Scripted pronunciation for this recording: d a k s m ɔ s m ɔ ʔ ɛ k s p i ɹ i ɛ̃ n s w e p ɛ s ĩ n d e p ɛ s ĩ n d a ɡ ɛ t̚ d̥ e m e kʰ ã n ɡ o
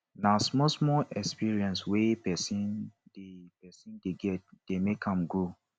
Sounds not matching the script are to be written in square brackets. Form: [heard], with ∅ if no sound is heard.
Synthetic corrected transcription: [n] a [∅] s m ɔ s m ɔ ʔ ɛ k s p i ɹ i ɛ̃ n s w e p ɛ s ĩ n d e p ɛ s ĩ n d [e] ɡ ɛ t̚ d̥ e m e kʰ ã [m] ɡ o